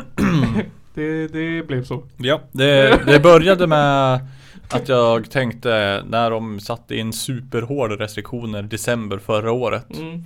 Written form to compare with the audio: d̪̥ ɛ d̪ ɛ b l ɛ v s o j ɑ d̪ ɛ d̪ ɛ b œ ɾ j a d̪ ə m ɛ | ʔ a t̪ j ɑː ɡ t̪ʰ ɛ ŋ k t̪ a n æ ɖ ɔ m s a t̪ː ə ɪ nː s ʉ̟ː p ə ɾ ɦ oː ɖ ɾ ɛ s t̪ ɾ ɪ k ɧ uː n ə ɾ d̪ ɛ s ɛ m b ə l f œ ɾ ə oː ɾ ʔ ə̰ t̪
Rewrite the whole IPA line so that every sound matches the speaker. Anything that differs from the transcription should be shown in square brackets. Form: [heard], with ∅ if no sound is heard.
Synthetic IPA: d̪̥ ɛ d̪ ɛ b l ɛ v s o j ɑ d̪ ɛ d̪ ɛ b œ ɾ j a d̪ ə m ɛ | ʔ a t̪ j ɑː ɡ t̪ʰ ɛ ŋ k t̪ [ə] n æ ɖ ɔ m s a t̪ː ə ɪ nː s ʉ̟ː p ə ɾ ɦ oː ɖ ɾ ɛ s t̪ ɾ ɪ k ɧ uː n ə ɾ d̪ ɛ s ɛ m b ə [ɾ] f œ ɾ [a] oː ɾ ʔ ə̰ t̪